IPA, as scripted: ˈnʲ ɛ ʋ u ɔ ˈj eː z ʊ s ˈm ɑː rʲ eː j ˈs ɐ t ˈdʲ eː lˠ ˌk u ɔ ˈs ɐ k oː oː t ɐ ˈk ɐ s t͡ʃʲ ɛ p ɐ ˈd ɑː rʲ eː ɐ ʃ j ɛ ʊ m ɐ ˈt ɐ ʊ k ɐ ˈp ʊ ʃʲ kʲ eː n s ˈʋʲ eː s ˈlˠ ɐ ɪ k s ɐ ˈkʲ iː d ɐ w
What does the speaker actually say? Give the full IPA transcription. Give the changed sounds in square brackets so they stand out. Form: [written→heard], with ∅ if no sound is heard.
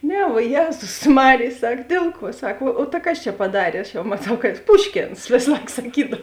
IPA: ˈnʲ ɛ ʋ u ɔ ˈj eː z ʊ s ˈm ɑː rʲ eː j ˈs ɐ [t→k] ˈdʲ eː lˠ ˌk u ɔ ˈs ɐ k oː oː t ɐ ˈk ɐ s t͡ʃʲ ɛ p ɐ ˈd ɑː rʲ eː ɐ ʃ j ɛ ʊ m ɐ ˈt ɐ ʊ k ɐ ˈp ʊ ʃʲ kʲ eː n s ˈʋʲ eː s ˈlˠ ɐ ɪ k s ɐ ˈkʲ iː d ɐ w